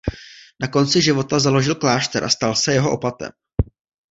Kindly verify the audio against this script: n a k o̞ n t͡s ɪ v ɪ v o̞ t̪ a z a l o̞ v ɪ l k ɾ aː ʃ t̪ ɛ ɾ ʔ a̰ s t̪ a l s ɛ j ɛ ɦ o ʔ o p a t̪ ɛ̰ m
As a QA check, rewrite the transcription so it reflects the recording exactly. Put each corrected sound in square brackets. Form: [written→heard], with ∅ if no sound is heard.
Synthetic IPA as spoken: n a k o̞ n t͡s ɪ [v→ʒ] ɪ v o̞ t̪ a z a l o̞ [v→ʒ] ɪ l k [ɾ→l] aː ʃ t̪ ɛ ɾ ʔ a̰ s t̪ a l s ɛ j ɛ ɦ o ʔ o p a t̪ ɛ̰ m